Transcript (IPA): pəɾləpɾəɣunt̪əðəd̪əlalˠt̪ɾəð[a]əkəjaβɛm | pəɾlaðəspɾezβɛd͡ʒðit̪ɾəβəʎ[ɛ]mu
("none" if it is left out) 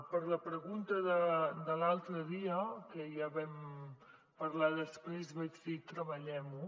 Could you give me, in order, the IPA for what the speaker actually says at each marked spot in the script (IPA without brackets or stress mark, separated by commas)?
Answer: i, ɛ